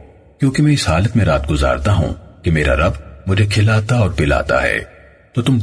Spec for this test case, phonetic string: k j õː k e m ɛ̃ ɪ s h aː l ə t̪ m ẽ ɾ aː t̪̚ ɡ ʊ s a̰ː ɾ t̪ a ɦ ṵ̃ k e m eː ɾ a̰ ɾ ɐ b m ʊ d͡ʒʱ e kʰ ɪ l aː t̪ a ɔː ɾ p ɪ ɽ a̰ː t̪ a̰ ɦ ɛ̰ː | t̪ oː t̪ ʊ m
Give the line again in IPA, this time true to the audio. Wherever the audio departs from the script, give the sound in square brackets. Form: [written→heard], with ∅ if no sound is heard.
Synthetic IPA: k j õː k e m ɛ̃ ɪ s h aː l ə t̪ m ẽ ɾ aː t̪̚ ɡ ʊ [s→z] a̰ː ɾ t̪ a ɦ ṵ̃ k e m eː ɾ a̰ ɾ ɐ b m ʊ d͡ʒʱ e kʰ ɪ l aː t̪ a ɔː ɾ p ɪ [ɽ→l] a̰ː t̪ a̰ ɦ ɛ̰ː | t̪ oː t̪ ʊ m